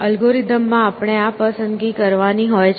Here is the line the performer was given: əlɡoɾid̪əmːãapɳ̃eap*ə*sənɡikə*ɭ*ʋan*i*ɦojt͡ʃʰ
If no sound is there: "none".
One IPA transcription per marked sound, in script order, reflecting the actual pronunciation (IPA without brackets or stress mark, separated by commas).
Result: ə, ɾ, i